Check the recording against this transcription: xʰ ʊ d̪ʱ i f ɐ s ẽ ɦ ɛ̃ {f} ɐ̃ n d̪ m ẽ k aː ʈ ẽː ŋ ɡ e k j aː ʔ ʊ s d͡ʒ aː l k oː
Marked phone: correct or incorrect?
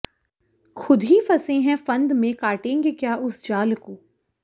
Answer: correct